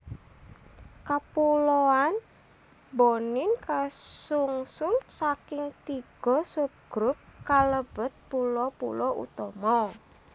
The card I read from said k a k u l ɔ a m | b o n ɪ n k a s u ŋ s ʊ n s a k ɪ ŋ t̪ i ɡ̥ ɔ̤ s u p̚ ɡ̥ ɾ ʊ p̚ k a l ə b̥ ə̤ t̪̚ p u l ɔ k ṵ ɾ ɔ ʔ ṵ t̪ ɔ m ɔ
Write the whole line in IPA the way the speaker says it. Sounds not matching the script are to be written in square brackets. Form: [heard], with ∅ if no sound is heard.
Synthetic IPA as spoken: k a [p] u l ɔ a [n] | b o n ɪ n k a s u ŋ s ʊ n s a k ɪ ŋ t̪ i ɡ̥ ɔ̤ s u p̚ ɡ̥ ɾ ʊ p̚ k a l ə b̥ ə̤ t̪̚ p u l ɔ [p] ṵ [l] ɔ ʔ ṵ t̪ ɔ m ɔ